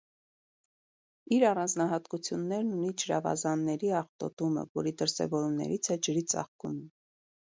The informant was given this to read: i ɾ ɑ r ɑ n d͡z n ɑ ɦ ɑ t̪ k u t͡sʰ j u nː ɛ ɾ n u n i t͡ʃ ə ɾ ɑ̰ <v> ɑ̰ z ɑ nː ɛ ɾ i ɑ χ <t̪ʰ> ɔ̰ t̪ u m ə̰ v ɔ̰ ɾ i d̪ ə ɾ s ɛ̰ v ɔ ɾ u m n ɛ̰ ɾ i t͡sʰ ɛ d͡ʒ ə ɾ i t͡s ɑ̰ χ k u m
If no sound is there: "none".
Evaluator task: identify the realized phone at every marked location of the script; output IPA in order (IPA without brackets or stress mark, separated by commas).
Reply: v, t̪